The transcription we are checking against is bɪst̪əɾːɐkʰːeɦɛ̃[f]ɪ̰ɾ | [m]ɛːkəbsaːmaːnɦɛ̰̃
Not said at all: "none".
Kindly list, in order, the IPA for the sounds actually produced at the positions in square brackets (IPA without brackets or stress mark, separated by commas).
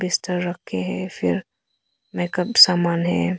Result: f, m